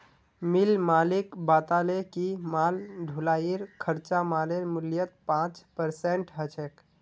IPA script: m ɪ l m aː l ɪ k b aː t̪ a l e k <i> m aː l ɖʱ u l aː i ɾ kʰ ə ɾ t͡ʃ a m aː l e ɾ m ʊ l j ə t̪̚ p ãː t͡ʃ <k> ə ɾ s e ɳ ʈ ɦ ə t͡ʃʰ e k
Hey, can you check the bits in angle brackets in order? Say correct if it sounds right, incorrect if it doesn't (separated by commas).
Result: correct, incorrect